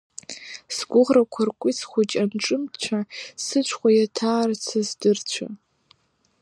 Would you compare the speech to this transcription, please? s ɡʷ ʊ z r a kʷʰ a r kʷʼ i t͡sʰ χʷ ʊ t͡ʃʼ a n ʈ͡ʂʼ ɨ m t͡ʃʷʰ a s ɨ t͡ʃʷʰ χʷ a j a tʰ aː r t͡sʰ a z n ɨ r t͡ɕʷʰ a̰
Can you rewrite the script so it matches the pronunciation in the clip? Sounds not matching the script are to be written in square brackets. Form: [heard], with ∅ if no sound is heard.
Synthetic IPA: s ɡʷ ʊ [ʁ] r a kʷʰ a r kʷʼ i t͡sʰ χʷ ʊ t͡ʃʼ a n ʈ͡ʂʼ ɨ m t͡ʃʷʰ a s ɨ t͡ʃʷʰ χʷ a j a tʰ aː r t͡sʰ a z [d] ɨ r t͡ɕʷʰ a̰